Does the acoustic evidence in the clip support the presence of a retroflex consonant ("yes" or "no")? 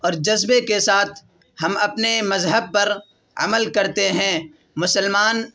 no